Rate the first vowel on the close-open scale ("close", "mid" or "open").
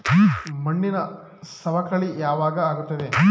open